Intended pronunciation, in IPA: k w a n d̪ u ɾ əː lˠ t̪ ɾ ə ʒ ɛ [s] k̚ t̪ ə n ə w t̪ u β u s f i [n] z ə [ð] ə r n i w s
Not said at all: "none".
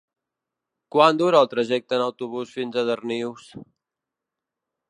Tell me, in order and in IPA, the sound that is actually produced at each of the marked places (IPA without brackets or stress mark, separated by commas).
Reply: none, n, ð